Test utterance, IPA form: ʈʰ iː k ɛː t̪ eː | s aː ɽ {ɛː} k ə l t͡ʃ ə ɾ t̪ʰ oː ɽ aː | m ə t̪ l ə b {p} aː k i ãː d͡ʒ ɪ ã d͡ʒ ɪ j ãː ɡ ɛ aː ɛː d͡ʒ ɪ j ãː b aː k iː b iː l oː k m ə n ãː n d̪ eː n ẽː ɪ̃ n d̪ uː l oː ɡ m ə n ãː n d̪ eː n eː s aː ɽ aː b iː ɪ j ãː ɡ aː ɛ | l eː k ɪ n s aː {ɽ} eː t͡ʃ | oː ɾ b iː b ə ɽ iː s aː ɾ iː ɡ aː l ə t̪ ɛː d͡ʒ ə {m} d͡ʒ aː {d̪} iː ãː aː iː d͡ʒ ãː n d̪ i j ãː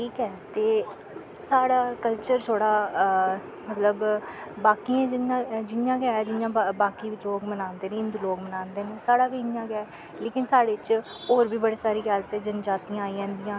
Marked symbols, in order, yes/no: no, no, yes, no, no

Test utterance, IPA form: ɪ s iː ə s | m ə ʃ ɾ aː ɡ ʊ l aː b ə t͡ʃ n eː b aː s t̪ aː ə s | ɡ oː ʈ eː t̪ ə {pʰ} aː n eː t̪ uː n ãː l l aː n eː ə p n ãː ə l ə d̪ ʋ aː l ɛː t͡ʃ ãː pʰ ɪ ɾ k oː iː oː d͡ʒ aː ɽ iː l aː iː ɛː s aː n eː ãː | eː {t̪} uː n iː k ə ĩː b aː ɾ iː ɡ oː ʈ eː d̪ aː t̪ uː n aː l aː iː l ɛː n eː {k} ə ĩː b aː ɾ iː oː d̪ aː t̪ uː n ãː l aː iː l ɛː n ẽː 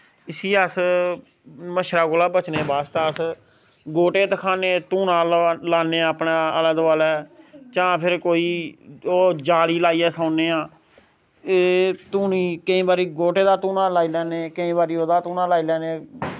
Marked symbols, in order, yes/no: no, yes, yes

